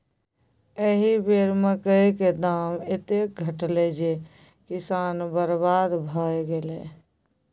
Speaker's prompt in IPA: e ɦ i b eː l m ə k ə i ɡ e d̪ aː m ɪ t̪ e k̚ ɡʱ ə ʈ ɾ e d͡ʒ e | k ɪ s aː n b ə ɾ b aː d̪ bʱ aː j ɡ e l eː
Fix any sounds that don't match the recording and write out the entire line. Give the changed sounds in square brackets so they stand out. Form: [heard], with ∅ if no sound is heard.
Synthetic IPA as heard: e ɦ i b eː [ɾ] m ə k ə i [k] e d̪ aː m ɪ t̪ e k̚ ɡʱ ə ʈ [l] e d͡ʒ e | k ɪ s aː n b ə ɾ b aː d̪ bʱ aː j ɡ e l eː